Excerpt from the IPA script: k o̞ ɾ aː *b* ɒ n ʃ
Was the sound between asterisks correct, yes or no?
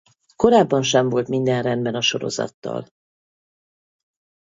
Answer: no